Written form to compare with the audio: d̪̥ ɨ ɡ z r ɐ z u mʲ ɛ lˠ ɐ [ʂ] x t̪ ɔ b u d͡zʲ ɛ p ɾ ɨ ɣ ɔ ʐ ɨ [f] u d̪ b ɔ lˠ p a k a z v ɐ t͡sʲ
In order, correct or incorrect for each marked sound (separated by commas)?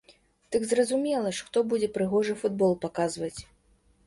correct, correct